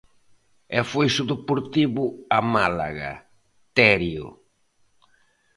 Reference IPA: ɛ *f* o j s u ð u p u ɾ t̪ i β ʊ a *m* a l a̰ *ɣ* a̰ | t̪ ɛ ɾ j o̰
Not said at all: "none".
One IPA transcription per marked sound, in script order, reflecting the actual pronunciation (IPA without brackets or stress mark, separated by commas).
f, m, ɣ